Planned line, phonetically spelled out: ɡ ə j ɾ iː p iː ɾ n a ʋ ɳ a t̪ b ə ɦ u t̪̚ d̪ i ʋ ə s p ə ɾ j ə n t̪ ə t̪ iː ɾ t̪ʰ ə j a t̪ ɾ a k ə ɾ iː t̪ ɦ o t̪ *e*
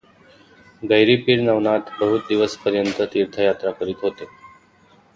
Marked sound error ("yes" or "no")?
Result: no